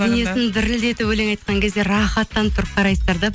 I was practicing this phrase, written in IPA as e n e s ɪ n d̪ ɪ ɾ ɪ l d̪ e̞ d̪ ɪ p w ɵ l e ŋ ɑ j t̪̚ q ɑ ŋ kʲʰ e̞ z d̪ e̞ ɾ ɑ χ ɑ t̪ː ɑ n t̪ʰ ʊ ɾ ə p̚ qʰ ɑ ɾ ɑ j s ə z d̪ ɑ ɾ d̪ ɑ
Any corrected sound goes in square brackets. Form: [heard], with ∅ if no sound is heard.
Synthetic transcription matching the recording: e n e s ɪ n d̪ ɪ ɾ ɪ l d̪ e̞ [t̪] ɪ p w ɵ l e ŋ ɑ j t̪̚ q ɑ ŋ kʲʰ e̞ z d̪ e̞ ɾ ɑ χ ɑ t̪ː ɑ n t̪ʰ ʊ ɾ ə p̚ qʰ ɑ ɾ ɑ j s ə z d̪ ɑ ɾ d̪ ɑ